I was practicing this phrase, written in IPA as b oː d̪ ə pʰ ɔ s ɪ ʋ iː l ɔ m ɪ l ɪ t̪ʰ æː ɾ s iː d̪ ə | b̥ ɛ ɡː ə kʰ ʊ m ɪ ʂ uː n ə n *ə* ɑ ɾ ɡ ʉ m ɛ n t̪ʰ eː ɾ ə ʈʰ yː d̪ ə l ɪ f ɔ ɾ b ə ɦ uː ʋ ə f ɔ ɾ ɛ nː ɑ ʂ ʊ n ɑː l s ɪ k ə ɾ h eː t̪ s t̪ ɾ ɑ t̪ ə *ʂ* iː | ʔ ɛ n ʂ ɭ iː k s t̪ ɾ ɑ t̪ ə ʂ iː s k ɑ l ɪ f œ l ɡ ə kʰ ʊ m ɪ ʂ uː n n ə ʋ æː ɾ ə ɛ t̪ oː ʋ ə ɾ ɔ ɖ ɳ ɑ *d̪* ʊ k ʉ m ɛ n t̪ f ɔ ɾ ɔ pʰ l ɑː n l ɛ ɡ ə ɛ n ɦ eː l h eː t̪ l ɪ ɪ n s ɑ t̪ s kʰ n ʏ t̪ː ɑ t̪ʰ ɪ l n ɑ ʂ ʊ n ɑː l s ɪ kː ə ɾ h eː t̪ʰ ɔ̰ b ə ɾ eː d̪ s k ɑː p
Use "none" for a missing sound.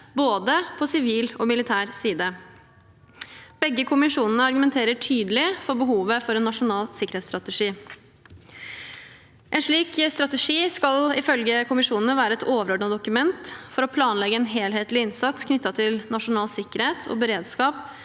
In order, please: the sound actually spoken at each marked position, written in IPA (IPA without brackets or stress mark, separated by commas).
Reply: ə, ʂ, d̪